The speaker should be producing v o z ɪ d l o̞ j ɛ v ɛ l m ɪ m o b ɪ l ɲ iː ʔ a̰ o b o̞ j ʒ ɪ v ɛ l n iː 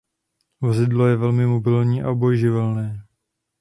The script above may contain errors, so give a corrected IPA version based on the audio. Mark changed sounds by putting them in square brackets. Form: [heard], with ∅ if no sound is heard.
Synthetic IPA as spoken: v o z ɪ d l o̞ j ɛ v ɛ l m ɪ m o b ɪ l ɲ iː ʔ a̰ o b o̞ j ʒ ɪ v ɛ l n [ɛː]